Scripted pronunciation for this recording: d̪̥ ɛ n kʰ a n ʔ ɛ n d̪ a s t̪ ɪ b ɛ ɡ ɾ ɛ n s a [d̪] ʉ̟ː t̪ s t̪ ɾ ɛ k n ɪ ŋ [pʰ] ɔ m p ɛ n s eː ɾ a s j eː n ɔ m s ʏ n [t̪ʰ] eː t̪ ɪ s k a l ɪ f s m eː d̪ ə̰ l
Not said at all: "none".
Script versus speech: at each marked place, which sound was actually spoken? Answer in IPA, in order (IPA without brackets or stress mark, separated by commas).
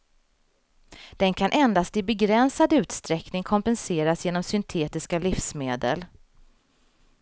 d̪, kʰ, t̪ʰ